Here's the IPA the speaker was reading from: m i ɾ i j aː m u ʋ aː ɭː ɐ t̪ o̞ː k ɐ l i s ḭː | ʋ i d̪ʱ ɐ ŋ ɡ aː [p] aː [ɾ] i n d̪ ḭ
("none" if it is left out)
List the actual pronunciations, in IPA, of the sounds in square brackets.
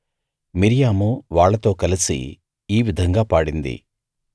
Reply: p, ɽ

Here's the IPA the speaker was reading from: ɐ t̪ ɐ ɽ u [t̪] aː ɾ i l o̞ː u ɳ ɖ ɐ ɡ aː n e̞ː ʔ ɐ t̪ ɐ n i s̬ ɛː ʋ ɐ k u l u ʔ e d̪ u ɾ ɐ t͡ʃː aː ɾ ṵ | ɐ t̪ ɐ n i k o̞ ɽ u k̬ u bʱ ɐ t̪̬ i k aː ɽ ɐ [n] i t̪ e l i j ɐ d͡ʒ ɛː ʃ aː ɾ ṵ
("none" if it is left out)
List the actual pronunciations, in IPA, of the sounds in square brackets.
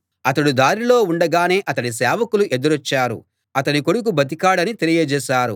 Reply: d̪, n

